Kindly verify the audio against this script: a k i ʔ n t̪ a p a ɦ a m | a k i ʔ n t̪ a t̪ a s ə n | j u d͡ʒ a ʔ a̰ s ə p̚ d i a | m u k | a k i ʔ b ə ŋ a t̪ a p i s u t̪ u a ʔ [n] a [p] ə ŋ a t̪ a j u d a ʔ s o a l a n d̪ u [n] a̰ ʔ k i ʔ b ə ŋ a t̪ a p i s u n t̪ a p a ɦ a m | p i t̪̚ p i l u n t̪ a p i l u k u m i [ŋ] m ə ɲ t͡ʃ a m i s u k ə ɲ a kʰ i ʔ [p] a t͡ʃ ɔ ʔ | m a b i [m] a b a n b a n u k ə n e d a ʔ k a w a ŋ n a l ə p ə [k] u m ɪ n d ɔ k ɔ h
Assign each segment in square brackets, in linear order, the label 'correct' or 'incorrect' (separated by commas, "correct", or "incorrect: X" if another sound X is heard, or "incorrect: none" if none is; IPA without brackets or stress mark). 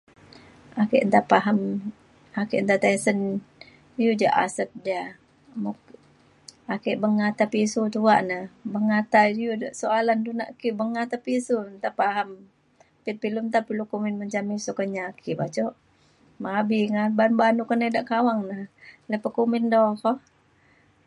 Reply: correct, incorrect: b, correct, incorrect: n, incorrect: b, incorrect: ŋ, correct